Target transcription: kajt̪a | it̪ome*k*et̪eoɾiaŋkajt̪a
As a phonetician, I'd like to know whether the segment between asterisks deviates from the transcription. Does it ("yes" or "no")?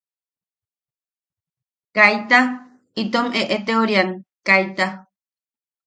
yes